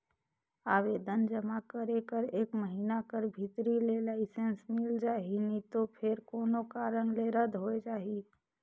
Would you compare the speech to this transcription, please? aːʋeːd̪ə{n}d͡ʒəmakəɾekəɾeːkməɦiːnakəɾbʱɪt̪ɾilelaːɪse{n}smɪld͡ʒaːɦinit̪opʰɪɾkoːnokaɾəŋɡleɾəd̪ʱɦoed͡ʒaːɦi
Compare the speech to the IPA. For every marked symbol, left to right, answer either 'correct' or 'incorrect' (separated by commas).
correct, correct